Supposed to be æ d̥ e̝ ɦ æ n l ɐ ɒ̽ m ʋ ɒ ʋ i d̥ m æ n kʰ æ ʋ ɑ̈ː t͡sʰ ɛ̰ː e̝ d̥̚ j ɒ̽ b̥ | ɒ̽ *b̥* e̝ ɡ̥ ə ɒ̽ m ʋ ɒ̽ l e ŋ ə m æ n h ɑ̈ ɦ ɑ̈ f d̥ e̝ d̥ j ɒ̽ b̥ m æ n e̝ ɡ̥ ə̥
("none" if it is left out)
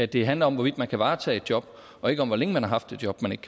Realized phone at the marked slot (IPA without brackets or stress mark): none